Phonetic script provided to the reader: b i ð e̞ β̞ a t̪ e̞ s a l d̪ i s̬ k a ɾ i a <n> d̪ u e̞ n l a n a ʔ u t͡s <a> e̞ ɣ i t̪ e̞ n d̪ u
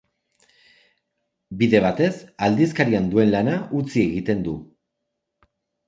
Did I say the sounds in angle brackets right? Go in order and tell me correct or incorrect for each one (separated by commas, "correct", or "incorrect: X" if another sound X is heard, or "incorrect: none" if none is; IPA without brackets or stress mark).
correct, incorrect: i